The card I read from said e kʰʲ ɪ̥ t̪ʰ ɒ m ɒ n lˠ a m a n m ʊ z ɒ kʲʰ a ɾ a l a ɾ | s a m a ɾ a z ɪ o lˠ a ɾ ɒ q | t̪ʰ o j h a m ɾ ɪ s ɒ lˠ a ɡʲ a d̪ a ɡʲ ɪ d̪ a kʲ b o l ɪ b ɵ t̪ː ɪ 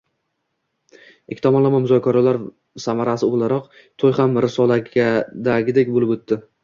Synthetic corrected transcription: e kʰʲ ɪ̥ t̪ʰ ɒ m ɒ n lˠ a m a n m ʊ z ɒ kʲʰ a ɾ a l a ɾ | s a m a ɾ a s ɪ o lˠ a ɾ ɒ q | t̪ʰ o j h a m ɾ ɪ s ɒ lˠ a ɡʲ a d̪ a ɡʲ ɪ d̪ e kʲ b o l ɪ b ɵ t̪ː ɪ

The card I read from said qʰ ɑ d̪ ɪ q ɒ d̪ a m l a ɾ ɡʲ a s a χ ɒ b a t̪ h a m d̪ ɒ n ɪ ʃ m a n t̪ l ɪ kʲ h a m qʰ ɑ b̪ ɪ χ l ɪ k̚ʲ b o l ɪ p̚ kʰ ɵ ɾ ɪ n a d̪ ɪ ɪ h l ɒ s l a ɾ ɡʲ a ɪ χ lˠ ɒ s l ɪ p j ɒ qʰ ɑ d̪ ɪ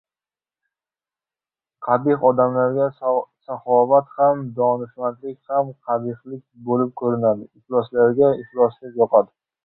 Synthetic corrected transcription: qʰ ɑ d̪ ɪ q ɒ d̪ a m l a ɾ ɡʲ a s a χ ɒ v a t̪ h a m d̪ ɒ n ɪ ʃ m a n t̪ l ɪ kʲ h a m qʰ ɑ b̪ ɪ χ l ɪ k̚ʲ b o l ɪ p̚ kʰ ɵ ɾ ɪ n a d̪ ɪ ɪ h l ɒ s l a ɾ ɡʲ a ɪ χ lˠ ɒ s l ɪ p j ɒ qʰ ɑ d̪ ɪ

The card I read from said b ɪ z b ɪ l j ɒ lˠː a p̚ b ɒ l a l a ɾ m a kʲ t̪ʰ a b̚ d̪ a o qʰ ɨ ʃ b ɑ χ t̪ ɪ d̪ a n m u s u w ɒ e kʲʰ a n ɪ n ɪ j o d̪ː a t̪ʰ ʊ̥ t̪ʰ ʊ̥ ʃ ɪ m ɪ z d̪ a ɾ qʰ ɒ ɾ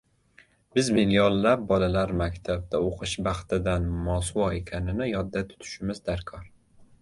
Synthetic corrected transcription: b ɪ z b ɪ l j ɒ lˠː a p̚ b ɒ l a l a ɾ m a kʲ t̪ʰ a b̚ d̪ a o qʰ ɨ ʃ b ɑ χ t̪ ɪ d̪ a n m ɒ s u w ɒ e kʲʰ a n ɪ n ɪ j ɒ d̪ː a t̪ʰ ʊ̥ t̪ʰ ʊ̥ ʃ ɪ m ɪ z d̪ a ɾ kʰ ɒ ɾ

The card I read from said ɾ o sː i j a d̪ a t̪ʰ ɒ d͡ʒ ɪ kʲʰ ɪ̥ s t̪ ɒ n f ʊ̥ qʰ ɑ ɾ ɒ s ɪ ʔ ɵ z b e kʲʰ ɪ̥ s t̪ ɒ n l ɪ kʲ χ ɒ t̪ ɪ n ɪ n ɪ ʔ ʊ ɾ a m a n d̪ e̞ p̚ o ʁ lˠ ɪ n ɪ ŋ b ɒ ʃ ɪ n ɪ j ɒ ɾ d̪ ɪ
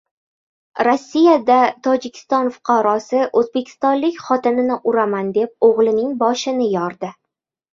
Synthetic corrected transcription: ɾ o sː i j a d̪ a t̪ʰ ɒ d͡ʒ ɪ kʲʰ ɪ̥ s t̪ ɒ n f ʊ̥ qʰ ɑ ɾ ɒ s ɪ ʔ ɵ z b e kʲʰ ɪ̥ s t̪ ɒ n l ɪ kʲ χ ɒ t̪ ɪ n ɪ n ɪ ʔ ʊ ɾ a m a n d̪ e̞ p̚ o ʁ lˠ ɪ n ɪ ŋ b ɒ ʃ ɪ n ɪ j ɒ ɾ d̪ ɪ

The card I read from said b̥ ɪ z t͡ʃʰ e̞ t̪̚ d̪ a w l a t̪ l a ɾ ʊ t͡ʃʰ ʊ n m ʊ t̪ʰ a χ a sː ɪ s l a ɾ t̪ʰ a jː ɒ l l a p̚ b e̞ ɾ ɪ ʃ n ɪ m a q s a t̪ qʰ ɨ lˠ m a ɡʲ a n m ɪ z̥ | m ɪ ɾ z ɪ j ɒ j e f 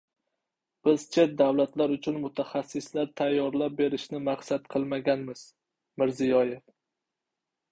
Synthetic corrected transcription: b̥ ɪ z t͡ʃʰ e̞ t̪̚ d̪ a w l a t̪ l a ɾ ʊ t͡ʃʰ ʊ n m ʊ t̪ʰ a χ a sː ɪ s l a ɾ t̪ʰ a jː ɒ ɾ l a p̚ b e̞ ɾ ɪ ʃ n ɪ m a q s a t̪ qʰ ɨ lˠ m a ɡʲ a n m ɪ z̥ | m ɪ ɾ z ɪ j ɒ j e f

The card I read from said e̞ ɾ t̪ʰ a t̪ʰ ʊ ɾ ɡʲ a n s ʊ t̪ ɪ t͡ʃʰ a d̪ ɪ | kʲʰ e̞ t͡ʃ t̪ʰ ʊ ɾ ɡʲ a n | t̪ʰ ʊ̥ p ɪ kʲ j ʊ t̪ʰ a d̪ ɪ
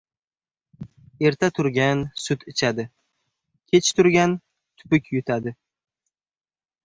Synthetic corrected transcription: e̞ ɾ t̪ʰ a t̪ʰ ʊ ɾ ɡʲ a n s ʊ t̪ ɪ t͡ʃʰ a d̪ ɪ | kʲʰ e̞ t͡ʃ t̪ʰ ʊ ɾ ɡʲ a n | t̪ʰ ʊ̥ p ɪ kʲ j ʊ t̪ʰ a d̪ ɪ

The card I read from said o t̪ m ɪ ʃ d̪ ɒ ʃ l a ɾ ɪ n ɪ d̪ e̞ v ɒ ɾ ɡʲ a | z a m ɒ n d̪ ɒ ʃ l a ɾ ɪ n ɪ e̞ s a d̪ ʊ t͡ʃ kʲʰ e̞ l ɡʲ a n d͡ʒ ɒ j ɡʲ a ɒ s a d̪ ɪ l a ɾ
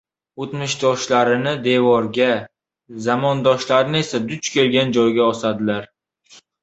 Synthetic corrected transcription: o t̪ m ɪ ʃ d̪ ɒ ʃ l a ɾ ɪ n ɪ d̪ e̞ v ɒ ɾ ɡʲ a | z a m ɒ n d̪ ɒ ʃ l a ɾ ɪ n ɪ e̞ s a d̪ ʊ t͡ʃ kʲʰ e̞ l ɡʲ a n d͡ʒ ɒ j ɡʲ a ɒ s a d̪ ɪ l a ɾ

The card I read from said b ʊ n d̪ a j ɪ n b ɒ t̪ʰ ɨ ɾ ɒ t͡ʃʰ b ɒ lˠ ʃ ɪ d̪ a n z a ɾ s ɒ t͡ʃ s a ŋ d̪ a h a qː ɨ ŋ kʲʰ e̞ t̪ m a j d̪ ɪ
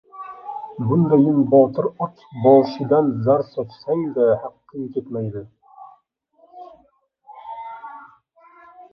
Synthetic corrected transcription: b ʊ n d̪ a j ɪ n b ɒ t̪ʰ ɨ ɾ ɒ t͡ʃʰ b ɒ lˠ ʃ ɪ d̪ a n z a ɾ s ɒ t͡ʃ s a ŋ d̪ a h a qː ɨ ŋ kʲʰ e̞ t̪ m a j d̪ ɪ

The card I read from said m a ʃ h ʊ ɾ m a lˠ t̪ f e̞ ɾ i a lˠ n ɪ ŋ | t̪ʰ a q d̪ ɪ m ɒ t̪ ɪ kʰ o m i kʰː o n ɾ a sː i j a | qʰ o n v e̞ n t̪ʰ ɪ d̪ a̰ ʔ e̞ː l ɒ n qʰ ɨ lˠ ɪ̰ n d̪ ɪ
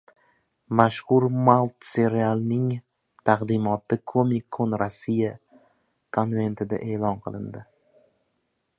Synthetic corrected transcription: m a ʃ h ʊ ɾ m a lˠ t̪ s e̞ ɾ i a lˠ n ɪ ŋ | t̪ʰ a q d̪ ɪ m ɒ t̪ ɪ kʰ o m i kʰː o n ɾ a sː i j a | kʰ o n v e̞ n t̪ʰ ɪ d̪ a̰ ʔ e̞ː l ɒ n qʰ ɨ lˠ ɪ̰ n d̪ ɪ

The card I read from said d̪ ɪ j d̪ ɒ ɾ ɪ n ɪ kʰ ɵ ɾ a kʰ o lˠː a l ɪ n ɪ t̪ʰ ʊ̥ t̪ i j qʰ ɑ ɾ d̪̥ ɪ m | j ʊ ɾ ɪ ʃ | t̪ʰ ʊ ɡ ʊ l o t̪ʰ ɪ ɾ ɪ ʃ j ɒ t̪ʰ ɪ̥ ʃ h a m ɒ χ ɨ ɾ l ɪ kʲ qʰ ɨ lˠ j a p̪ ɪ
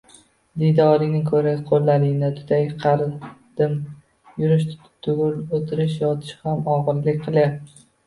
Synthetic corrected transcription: d̪ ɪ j d̪ ɒ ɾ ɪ n ɪ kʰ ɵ ɾ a qʰ o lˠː a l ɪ n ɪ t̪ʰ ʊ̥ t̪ a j qʰ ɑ ɾ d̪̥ ɪ m | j ʊ ɾ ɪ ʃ | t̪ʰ ʊ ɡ ʊ l o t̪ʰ ɪ ɾ ɪ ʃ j ɒ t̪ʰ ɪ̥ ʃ h a m ɒ ʁ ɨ ɾ l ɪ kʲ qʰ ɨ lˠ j a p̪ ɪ

